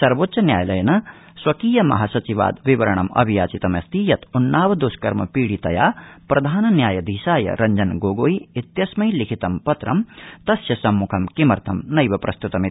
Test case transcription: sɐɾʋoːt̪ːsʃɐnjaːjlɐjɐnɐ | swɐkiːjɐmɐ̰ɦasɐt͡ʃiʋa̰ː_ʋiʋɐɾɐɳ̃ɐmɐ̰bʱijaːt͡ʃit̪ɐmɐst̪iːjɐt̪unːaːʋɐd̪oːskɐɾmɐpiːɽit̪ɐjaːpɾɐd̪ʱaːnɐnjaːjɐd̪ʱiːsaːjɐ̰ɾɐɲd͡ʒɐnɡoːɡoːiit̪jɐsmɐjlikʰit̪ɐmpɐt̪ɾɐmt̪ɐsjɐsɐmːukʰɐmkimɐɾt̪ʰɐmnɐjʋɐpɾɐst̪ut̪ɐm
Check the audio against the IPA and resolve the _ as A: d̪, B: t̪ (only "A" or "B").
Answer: A